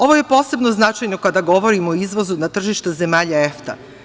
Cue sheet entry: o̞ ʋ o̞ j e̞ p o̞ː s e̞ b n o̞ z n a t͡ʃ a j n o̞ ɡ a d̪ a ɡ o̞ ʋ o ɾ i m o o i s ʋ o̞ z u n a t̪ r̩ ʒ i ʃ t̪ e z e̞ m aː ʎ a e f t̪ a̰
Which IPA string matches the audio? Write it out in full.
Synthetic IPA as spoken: o̞ ʋ o̞ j e̞ p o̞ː s e̞ b n o̞ z n a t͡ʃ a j n o̞ k a d̪ a ɡ o̞ ʋ o ɾ i m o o i z ʋ o̞ z u n a t̪ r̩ ʒ i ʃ t̪ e z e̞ m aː ʎ a e f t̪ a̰